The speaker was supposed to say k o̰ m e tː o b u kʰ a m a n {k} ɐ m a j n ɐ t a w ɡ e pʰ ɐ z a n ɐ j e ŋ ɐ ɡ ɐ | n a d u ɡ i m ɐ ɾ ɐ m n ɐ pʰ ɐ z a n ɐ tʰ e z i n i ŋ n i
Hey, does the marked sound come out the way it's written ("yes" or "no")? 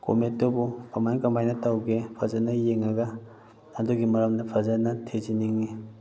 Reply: yes